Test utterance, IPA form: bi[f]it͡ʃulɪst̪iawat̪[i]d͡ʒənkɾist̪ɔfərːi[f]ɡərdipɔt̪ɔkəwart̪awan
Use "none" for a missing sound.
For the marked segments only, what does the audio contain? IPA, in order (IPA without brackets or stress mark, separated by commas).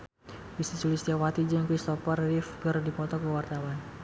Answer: s, i, f